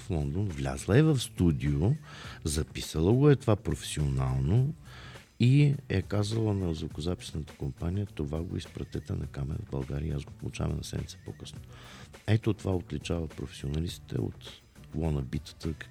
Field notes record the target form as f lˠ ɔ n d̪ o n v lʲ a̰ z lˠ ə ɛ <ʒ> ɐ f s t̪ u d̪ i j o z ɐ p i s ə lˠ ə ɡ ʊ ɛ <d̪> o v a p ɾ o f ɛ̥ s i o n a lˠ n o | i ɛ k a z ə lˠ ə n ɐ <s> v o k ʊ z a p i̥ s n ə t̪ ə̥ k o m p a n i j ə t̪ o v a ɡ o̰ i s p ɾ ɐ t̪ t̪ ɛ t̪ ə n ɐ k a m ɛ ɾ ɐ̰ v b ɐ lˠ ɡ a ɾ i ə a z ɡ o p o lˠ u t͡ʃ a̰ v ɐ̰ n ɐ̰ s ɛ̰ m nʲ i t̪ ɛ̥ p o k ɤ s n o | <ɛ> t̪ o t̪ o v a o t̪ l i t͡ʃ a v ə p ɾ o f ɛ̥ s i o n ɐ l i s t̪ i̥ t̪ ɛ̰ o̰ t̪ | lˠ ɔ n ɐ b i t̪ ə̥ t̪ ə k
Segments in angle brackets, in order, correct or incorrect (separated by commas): incorrect, incorrect, incorrect, correct